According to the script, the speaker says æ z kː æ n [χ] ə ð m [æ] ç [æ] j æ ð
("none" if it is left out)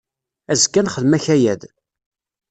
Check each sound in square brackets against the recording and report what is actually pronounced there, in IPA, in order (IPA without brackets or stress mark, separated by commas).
χ, æ, æ